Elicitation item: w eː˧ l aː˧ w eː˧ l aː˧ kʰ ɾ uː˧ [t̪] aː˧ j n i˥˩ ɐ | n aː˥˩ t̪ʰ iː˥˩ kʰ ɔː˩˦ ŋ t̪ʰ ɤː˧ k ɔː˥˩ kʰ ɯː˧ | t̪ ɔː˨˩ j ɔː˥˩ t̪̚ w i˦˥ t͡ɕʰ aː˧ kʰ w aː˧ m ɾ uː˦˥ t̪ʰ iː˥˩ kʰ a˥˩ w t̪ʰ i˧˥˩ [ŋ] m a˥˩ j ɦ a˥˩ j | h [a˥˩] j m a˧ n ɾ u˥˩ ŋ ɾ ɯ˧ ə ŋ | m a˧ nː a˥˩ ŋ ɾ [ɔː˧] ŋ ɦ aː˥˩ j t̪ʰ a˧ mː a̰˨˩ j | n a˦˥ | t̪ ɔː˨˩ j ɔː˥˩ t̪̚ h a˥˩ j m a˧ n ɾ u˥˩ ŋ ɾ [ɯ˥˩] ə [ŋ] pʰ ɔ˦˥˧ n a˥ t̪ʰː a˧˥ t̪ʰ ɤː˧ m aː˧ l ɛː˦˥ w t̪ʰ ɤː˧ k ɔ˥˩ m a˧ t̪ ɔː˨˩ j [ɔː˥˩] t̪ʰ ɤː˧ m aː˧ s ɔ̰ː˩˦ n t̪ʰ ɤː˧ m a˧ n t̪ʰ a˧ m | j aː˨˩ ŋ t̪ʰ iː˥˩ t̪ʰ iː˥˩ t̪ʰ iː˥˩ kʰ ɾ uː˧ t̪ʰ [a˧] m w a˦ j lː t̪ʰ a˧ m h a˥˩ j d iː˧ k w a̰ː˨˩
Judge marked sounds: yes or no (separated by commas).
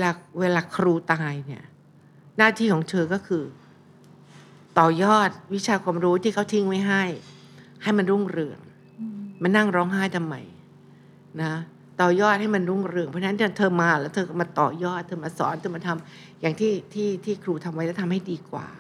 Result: yes, yes, yes, no, no, yes, yes, yes